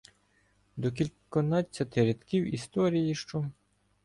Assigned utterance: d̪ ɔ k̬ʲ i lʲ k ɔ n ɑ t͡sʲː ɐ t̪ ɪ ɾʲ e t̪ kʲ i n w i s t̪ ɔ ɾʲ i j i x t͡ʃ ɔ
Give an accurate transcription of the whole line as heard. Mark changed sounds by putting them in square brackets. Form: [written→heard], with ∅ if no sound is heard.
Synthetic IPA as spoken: d̪ ɔ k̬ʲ i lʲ k ɔ n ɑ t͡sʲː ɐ t̪ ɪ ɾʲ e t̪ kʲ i [n→∅] w i s t̪ ɔ ɾʲ i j i [x→ʃ] t͡ʃ ɔ